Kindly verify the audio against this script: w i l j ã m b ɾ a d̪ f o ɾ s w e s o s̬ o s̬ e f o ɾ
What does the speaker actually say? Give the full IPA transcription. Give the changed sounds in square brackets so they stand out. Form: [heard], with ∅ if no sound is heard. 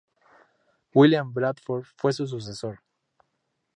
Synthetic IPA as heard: w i l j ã m b ɾ a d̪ f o ɾ [f] w e s [u] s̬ [u] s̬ e [s] o ɾ